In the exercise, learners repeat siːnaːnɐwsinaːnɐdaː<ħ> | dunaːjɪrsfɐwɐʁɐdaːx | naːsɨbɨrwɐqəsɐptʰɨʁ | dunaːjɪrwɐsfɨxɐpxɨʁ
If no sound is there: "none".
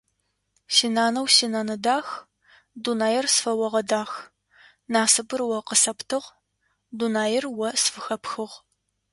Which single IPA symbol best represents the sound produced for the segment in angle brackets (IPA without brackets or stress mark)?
x